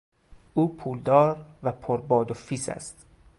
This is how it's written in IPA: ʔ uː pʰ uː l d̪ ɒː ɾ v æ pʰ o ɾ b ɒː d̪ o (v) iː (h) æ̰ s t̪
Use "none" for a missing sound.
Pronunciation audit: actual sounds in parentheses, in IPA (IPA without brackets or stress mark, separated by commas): f, s